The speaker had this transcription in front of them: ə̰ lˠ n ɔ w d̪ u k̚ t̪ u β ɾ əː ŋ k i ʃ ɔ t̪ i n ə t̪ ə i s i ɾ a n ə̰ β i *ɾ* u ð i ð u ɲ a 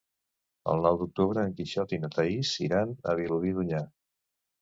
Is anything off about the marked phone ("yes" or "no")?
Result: yes